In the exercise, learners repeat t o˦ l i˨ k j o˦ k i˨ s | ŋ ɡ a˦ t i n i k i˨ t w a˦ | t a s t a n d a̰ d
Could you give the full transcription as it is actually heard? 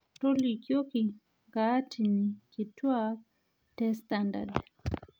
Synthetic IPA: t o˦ l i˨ k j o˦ k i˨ | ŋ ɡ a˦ t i n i k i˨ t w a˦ | t ɛ s t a n d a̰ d